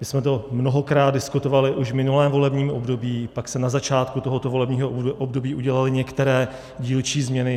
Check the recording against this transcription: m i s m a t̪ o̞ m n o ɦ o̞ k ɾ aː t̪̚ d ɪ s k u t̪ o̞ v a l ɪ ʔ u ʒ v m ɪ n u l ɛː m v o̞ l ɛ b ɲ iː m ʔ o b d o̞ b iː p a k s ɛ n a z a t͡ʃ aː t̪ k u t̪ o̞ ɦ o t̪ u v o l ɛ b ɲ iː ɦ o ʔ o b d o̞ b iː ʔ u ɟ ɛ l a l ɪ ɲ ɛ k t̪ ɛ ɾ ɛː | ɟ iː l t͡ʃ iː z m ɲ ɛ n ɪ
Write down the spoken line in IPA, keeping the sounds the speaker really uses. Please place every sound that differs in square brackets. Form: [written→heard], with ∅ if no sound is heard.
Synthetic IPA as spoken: m [i→ɪ] s m [a→ɛ] t̪ o̞ m n o ɦ o̞ k ɾ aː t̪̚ d ɪ s k u t̪ o̞ v a l ɪ ʔ u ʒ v m ɪ n u l ɛː m v o̞ l ɛ b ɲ iː m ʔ o b d o̞ b iː p a k s ɛ n a z a t͡ʃ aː t̪ k u t̪ o̞ ɦ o t̪ [u→o] v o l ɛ b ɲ iː ɦ o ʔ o b d o̞ b iː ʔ u ɟ ɛ l a l ɪ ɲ ɛ k t̪ ɛ ɾ ɛː | ɟ iː l t͡ʃ iː z m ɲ ɛ n ɪ